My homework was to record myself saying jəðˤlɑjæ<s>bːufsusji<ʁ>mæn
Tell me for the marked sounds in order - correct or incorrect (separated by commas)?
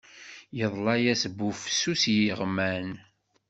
correct, correct